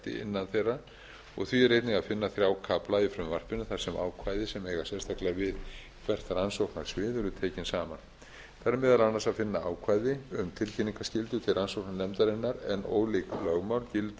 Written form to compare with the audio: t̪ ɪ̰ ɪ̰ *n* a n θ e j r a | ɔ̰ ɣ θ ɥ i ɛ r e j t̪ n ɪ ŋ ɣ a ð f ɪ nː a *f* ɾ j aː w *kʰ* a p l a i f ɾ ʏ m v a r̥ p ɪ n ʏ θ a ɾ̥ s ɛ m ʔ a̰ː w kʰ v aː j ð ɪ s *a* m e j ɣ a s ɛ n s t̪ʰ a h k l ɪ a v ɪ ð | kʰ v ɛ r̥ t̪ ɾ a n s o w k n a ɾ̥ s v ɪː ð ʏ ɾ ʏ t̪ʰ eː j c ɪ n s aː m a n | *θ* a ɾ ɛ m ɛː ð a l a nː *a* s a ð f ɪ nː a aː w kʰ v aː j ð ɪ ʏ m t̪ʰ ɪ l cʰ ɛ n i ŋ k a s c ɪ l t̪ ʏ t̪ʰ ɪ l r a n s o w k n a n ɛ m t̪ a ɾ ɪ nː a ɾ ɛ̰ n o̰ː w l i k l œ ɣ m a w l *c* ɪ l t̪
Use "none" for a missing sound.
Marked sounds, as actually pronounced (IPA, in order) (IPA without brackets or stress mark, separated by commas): nː, θ, kʰ, ɛ, θ, a, c